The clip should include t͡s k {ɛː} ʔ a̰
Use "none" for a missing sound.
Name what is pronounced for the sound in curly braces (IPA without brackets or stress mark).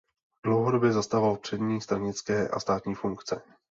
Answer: ɛː